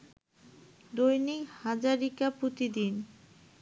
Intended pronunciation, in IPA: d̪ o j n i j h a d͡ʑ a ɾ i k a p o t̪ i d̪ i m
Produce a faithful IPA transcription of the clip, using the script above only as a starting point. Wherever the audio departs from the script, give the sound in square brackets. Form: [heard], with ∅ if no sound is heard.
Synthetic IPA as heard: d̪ o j n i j h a d͡ʑ a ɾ i k a p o t̪ i d̪ i [n]